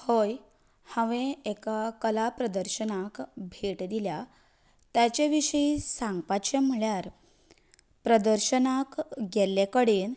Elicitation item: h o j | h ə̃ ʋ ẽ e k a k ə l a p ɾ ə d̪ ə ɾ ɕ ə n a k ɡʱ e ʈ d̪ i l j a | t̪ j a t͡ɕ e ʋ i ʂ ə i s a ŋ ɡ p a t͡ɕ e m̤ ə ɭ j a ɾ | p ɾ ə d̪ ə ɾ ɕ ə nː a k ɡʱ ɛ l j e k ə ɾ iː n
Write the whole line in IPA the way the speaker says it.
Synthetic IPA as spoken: h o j | h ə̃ ʋ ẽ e k a k ə l a p ɾ ə d̪ ə ɾ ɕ ə n a k bʱ e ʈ d̪ i l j a | t̪ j a t͡ɕ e ʋ i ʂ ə i s a ŋ ɡ p a t͡ɕ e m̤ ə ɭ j a ɾ | p ɾ ə d̪ ə ɾ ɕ ə n a k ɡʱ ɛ l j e k ə ɽ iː n